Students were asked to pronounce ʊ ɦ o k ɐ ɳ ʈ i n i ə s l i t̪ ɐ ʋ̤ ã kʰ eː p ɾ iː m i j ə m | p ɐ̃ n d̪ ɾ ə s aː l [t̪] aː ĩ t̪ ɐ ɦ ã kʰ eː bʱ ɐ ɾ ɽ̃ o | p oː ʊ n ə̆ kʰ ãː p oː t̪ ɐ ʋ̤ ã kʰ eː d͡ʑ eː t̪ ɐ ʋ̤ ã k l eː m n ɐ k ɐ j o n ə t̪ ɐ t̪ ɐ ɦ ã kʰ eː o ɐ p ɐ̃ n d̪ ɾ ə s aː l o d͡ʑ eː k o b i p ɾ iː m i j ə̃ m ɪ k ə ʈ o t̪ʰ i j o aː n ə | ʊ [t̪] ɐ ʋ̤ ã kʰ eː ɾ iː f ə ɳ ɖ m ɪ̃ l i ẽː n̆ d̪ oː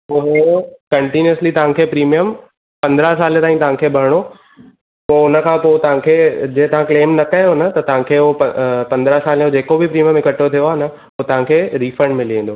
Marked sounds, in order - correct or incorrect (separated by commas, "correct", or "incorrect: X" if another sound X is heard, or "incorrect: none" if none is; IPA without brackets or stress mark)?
correct, correct